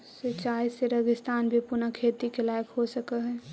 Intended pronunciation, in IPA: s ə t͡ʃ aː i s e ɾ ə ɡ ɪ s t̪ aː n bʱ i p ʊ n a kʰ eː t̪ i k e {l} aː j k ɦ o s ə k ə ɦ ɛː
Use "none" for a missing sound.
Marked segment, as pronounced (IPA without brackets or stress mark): l